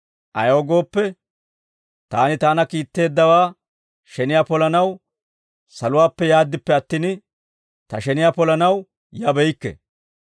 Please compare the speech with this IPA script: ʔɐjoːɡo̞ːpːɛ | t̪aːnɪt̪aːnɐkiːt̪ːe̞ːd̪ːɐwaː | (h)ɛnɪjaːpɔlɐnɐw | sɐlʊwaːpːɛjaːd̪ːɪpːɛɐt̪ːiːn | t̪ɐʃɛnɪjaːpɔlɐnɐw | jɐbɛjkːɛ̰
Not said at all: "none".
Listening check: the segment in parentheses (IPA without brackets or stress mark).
ʃ